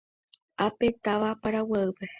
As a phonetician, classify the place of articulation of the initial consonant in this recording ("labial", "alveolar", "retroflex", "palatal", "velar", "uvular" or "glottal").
labial